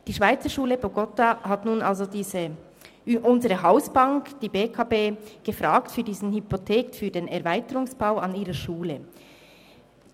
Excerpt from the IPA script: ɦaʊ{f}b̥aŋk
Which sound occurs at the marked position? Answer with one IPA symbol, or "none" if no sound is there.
s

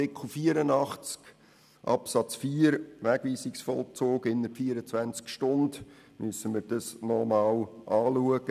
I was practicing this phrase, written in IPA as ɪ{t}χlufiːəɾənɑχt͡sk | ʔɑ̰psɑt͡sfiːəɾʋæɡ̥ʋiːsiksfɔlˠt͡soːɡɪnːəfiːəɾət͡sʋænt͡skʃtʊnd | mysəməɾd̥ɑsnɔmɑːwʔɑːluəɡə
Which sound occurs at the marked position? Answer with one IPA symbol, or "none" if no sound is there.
k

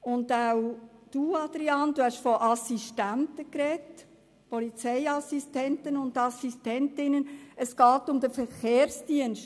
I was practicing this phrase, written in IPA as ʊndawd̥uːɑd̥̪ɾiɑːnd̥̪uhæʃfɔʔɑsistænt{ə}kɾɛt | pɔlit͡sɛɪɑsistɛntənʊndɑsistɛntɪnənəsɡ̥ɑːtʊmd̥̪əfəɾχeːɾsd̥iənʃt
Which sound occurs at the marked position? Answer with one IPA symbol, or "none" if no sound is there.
ə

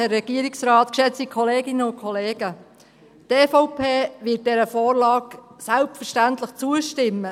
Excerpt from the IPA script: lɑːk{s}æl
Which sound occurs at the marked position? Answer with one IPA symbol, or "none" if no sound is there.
s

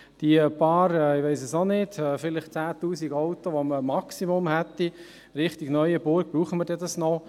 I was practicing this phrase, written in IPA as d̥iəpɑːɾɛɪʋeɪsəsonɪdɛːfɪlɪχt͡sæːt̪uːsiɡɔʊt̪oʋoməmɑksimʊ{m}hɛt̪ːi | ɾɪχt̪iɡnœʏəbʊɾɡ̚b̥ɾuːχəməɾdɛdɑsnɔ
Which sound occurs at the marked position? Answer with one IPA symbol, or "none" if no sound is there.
m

